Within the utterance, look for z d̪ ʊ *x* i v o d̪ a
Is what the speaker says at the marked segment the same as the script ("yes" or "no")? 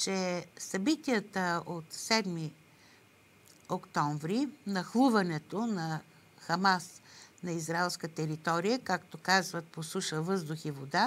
yes